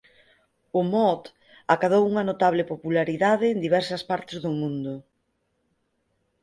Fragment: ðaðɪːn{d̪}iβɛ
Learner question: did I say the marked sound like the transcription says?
yes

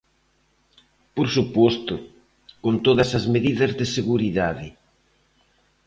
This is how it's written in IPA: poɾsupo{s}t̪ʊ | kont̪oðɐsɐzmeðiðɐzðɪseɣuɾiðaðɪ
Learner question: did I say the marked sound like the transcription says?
yes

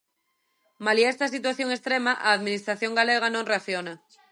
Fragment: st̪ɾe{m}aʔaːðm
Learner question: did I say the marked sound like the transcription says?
yes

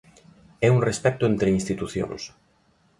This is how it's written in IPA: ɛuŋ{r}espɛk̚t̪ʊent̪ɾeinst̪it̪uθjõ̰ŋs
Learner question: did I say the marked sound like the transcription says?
yes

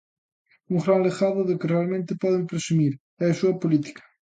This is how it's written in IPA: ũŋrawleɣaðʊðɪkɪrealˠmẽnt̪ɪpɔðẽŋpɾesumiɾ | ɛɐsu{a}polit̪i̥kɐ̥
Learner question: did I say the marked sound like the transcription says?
no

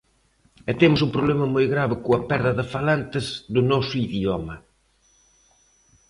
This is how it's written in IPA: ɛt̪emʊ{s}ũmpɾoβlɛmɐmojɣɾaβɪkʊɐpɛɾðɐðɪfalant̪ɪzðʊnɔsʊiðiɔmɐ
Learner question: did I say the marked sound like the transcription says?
yes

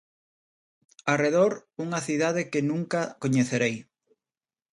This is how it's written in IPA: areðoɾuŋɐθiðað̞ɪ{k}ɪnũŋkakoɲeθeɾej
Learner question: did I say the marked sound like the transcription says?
yes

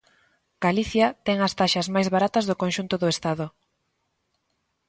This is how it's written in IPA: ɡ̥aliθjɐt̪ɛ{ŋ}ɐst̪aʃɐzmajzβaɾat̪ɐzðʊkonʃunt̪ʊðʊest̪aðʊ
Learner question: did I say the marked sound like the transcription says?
yes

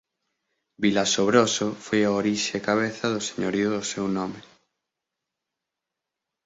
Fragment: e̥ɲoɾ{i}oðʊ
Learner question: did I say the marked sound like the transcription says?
yes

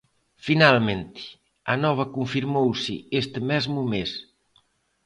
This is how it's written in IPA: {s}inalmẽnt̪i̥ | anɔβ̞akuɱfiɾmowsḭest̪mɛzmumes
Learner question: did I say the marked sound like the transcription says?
no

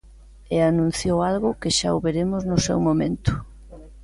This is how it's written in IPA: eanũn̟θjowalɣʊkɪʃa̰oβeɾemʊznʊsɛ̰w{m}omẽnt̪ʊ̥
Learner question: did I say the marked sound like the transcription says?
yes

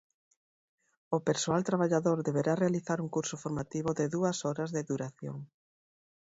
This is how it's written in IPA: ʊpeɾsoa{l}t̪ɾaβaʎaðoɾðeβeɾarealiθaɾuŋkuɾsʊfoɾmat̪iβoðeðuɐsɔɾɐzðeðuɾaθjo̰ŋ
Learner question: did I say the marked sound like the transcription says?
yes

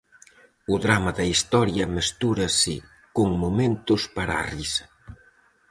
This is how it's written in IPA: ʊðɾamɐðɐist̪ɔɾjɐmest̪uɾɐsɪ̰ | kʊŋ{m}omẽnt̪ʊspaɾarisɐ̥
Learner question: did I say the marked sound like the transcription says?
yes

